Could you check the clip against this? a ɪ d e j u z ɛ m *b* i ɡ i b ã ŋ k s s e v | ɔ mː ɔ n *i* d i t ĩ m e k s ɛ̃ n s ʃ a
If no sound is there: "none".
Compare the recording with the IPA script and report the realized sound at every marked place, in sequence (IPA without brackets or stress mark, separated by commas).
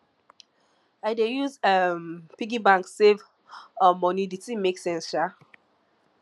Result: p, i